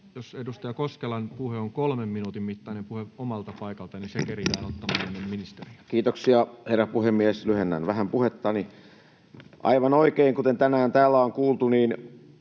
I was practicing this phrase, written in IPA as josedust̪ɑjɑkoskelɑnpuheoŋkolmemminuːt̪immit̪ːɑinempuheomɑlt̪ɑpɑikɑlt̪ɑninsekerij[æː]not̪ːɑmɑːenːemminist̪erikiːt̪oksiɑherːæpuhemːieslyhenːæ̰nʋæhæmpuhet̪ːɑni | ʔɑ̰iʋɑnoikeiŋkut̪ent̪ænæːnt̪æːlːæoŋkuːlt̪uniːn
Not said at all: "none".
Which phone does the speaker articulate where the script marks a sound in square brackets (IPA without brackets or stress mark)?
æː